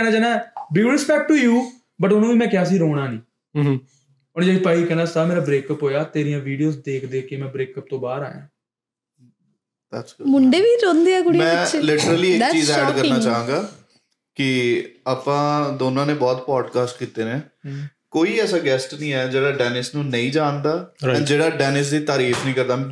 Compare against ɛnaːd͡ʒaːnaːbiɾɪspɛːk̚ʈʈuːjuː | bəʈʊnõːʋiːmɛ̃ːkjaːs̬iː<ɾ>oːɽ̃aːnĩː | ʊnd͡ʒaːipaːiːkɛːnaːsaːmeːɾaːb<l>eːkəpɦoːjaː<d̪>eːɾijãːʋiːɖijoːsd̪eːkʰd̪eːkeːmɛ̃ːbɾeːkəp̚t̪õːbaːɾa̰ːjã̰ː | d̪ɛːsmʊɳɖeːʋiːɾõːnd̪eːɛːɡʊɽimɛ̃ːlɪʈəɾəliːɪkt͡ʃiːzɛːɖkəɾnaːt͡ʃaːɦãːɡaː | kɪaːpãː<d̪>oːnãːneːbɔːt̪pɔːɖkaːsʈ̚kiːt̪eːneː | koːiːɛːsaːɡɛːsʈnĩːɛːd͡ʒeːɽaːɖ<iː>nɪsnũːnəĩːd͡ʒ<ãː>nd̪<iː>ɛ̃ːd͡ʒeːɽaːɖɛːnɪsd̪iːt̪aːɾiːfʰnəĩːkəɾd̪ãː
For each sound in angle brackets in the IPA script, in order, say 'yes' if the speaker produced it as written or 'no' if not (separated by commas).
yes, no, no, yes, no, no, no